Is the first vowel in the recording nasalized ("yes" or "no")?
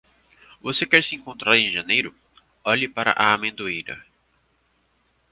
no